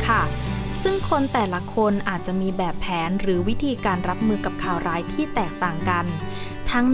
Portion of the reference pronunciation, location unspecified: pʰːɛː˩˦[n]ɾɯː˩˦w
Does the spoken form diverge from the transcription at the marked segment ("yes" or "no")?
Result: no